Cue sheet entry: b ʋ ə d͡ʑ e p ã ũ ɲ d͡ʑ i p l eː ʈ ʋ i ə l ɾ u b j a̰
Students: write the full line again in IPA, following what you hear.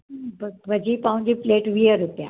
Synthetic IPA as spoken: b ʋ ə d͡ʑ i p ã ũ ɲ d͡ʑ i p l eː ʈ ʋ i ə ɾ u p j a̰